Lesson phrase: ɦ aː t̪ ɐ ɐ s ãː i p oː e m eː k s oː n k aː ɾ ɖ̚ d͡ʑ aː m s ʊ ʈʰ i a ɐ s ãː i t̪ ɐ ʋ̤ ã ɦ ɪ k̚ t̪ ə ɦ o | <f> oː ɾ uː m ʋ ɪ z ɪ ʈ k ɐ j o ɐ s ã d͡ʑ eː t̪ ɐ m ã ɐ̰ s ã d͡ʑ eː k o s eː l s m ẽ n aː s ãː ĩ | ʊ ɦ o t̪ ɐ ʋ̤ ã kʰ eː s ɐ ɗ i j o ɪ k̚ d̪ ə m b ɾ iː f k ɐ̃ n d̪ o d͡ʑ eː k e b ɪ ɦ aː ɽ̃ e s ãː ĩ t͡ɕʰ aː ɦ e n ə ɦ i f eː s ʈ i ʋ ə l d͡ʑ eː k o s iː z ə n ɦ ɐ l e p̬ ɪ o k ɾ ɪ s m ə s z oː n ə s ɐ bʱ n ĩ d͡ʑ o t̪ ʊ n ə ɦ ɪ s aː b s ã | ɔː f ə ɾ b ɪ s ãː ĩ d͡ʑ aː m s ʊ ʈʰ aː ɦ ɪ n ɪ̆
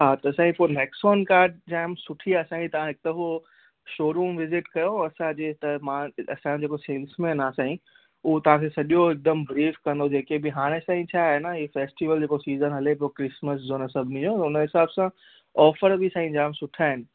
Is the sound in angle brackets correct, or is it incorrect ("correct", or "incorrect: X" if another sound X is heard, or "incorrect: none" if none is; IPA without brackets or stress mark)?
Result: incorrect: ʃ